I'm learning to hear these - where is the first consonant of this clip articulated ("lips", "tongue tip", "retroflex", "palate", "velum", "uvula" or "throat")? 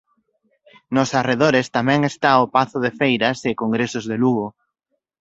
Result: tongue tip